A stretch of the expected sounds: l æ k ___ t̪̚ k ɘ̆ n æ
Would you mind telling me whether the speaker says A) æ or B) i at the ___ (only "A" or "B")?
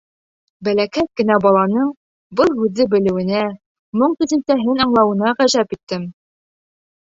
A